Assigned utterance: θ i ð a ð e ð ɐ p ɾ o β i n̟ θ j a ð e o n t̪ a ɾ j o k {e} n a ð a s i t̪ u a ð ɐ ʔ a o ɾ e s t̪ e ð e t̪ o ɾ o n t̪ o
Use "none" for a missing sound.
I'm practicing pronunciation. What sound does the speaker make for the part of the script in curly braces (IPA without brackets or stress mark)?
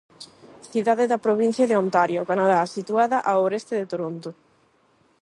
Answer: a